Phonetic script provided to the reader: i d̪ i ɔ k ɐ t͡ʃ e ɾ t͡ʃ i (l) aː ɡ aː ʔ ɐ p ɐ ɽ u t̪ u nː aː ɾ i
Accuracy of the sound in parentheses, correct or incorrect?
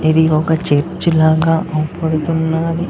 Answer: correct